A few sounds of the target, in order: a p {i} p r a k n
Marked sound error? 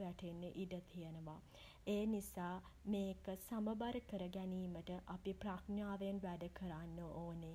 no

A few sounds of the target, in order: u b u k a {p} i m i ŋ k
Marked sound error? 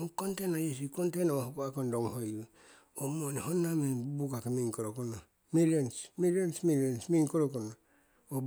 yes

